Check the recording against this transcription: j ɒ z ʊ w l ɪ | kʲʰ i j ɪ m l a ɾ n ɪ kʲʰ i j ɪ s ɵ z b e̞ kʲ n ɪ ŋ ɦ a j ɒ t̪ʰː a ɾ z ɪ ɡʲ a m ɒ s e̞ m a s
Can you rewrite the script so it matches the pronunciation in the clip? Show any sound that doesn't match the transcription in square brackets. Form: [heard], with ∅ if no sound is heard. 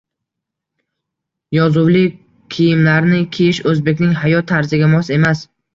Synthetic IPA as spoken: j ɒ z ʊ w l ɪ | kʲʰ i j ɪ m l a ɾ n ɪ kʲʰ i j ɪ [ʃ] ɵ z b e̞ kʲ n ɪ ŋ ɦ a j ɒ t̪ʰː a ɾ z ɪ ɡʲ a m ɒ s e̞ m a s